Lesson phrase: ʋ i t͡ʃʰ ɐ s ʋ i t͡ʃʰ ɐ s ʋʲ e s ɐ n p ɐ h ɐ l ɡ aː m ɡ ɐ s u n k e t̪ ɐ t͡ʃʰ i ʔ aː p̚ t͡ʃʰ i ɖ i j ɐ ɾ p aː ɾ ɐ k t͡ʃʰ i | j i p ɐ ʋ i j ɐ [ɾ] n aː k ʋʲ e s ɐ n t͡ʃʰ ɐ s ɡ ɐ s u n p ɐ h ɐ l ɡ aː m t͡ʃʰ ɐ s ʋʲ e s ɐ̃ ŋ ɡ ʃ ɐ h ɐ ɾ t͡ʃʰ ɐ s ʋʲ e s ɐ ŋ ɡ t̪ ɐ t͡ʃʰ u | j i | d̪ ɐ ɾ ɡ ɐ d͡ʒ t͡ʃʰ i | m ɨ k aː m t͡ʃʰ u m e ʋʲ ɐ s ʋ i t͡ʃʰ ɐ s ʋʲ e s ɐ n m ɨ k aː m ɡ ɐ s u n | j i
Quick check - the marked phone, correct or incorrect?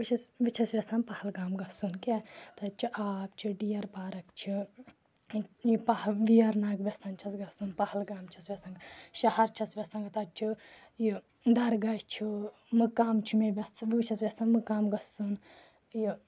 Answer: correct